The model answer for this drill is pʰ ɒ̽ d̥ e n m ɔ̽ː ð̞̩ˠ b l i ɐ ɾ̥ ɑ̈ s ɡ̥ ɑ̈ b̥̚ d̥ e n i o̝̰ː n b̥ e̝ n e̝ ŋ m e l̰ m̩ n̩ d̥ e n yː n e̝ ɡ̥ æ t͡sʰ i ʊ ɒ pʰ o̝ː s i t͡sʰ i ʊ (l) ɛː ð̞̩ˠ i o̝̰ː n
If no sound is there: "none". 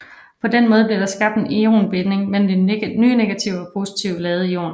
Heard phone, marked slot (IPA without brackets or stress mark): l